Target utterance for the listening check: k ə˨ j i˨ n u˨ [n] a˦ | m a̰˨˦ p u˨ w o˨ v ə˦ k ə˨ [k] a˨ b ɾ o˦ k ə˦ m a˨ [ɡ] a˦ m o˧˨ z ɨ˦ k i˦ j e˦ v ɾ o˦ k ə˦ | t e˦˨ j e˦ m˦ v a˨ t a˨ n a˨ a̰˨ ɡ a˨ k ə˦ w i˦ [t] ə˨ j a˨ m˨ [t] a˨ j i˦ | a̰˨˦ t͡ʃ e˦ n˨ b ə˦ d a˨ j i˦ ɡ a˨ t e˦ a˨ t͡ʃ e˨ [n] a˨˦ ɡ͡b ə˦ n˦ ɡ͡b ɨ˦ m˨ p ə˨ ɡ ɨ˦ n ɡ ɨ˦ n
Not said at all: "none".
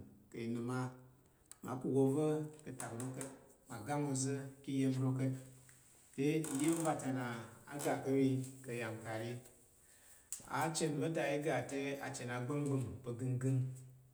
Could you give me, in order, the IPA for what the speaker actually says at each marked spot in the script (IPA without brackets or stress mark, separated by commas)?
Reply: m, t, ɡ, k, k, n